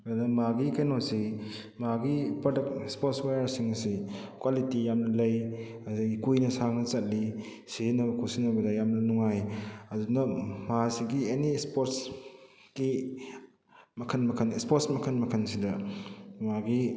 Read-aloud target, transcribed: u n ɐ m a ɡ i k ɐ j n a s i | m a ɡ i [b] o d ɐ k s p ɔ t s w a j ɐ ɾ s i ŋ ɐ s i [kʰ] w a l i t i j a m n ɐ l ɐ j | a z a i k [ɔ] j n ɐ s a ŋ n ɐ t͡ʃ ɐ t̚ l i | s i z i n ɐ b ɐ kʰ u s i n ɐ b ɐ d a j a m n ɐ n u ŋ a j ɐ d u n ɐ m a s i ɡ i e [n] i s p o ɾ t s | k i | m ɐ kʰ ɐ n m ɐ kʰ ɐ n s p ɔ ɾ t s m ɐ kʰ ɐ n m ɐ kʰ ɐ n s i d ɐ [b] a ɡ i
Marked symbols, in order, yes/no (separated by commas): no, no, no, yes, no